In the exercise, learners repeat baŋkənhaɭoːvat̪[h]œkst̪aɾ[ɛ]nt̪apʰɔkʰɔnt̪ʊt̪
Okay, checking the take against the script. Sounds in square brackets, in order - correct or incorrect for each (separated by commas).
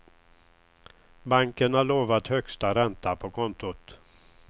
correct, correct